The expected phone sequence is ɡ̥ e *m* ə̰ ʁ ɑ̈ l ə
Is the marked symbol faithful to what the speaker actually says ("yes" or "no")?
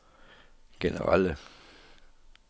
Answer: no